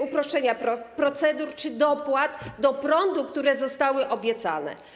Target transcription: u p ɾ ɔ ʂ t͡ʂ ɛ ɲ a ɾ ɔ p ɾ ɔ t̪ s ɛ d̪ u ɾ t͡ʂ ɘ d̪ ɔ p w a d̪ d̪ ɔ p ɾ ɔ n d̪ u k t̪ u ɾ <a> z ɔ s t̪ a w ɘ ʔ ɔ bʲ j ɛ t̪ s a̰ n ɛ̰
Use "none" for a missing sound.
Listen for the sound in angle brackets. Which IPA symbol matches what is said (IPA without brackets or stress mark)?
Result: ɛ